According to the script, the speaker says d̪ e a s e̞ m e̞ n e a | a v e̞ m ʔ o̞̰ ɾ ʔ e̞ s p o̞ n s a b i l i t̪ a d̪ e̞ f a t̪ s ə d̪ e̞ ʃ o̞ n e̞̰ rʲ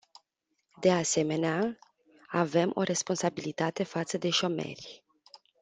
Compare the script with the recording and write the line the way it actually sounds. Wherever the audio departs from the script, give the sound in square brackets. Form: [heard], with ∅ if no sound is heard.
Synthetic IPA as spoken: d̪ e a s e̞ m e̞ n e a | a v e̞ m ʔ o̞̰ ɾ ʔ e̞ s p o̞ n s a b i l i t̪ a [t̪] e̞ f a t̪ s ə d̪ e̞ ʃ o̞ [m] e̞̰ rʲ

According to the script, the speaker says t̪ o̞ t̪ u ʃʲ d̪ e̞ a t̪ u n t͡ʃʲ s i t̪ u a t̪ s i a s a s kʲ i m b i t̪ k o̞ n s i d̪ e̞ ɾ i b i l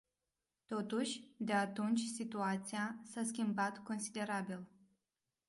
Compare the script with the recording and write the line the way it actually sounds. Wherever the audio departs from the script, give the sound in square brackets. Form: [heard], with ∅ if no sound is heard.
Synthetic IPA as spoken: t̪ o̞ t̪ u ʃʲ d̪ e̞ a t̪ u n t͡ʃʲ s i t̪ u a t̪ s i a s a s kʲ i m b [a] t̪ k o̞ n s i d̪ e̞ ɾ [a] b i l

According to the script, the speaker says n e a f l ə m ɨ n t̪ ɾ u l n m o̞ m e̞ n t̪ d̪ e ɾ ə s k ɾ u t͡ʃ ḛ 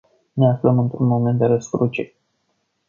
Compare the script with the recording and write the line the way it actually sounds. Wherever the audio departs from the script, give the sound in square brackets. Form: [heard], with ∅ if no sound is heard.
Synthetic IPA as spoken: n e a f l ə m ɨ n t̪ ɾ u [∅] n m o̞ m e̞ n t̪ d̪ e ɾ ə s k ɾ u t͡ʃ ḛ

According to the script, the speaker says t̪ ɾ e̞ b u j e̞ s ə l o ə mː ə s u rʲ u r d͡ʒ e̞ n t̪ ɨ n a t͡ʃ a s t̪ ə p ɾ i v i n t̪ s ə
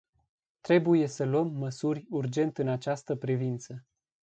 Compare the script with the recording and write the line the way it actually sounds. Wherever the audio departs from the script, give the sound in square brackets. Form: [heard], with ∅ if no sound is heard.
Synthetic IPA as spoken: t̪ ɾ e̞ b u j e̞ s ə l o ə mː ə s u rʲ u r d͡ʒ e̞ n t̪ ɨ n a t͡ʃ a s t̪ ə p ɾ i v i n t̪ s ə

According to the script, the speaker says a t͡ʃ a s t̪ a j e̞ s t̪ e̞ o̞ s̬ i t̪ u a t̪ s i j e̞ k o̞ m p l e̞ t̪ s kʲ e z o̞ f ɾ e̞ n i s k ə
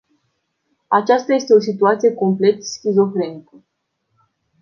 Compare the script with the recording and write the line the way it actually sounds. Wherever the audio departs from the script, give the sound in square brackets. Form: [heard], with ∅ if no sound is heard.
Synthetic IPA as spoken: a t͡ʃ a s t̪ a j e̞ s t̪ e̞ o̞ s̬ i t̪ u a t̪ s i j e̞ k o̞ m p l e̞ t̪ s kʲ [i] z o̞ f ɾ e̞ n i [∅] k ə

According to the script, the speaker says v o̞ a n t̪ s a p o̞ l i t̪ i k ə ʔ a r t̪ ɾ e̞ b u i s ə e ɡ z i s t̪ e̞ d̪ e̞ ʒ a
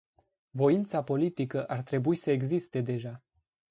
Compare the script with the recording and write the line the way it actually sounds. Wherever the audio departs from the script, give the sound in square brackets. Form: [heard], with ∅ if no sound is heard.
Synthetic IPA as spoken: v o̞ [i] n t̪ s a p o̞ l i t̪ i k ə ʔ a r t̪ ɾ e̞ b u i s ə e ɡ z i s t̪ e̞ d̪ e̞ ʒ a

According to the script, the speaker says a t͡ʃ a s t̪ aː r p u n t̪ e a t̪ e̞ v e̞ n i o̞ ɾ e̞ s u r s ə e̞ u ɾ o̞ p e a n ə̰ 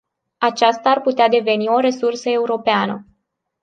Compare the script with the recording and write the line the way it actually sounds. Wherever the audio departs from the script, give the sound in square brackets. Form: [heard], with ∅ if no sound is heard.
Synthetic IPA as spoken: a t͡ʃ a s t̪ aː r p u [∅] t̪ e a [d̪] e̞ v e̞ n i o̞ ɾ e̞ s u r s ə e̞ u ɾ o̞ p e a n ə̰

